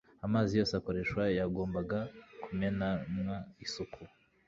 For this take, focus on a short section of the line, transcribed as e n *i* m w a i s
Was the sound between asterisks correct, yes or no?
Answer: no